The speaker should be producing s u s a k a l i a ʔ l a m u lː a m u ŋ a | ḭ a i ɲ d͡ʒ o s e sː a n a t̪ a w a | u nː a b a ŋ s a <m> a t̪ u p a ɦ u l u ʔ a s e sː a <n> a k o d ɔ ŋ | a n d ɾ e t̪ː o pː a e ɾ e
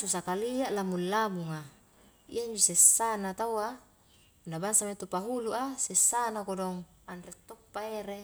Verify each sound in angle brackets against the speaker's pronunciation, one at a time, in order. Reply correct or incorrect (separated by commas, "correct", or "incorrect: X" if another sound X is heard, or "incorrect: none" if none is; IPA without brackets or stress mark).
correct, correct